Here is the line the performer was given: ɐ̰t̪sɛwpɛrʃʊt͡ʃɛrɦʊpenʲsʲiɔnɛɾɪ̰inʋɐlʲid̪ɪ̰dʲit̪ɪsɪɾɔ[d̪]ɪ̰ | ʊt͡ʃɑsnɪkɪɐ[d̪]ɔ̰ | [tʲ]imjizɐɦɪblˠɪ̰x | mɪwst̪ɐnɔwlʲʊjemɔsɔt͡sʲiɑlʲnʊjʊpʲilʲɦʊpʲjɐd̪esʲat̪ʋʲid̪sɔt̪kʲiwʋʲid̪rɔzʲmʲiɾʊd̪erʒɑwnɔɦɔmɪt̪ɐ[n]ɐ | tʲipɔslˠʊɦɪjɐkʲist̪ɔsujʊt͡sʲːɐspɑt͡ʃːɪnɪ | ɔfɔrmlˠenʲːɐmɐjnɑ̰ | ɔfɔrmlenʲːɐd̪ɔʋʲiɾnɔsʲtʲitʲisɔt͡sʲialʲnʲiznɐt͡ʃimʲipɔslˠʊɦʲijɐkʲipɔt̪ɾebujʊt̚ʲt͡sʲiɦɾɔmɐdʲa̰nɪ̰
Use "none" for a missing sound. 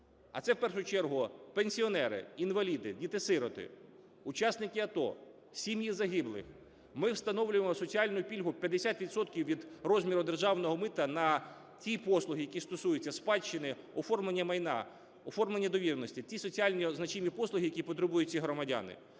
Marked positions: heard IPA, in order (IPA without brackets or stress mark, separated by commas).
t̪, t̪, sʲ, n